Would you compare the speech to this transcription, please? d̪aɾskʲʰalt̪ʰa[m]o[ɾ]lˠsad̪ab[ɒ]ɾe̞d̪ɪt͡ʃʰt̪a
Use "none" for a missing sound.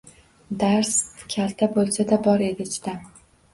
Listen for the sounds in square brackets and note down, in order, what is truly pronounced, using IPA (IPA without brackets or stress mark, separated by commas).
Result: b, none, ɒ